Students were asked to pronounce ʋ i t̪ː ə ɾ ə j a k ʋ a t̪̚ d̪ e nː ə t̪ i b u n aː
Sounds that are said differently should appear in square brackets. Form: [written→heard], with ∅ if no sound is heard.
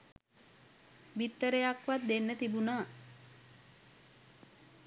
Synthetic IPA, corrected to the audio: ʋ i t̪ː ə ɾ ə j a k ʋ a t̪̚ d̪ e nː ə t̪ i b u n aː